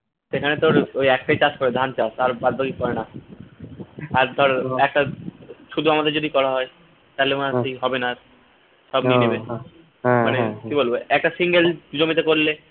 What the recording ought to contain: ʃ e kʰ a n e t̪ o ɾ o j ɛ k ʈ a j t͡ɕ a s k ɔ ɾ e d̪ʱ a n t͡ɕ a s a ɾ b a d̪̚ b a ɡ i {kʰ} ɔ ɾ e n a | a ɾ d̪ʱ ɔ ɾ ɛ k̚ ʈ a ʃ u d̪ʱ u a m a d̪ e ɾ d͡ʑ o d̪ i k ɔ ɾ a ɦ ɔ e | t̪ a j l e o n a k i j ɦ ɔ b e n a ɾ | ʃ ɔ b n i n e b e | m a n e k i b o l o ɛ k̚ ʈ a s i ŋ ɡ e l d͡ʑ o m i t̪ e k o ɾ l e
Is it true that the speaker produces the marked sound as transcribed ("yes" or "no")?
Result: no